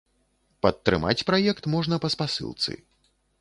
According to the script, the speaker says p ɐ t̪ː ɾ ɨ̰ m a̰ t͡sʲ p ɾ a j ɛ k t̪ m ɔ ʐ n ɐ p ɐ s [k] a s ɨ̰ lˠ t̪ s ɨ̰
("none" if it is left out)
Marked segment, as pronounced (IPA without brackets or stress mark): p